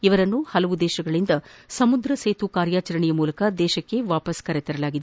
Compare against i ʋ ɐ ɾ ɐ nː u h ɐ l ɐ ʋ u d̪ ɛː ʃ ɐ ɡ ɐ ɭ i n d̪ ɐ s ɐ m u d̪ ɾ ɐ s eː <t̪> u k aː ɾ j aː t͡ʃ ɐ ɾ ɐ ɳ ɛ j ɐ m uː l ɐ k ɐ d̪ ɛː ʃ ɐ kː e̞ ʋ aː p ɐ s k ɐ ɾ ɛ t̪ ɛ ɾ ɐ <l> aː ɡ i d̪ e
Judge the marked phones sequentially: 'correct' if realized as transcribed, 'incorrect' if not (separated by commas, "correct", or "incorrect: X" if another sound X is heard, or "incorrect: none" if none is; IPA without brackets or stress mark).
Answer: correct, correct